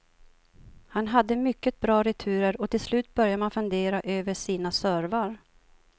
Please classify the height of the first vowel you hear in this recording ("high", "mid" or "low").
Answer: low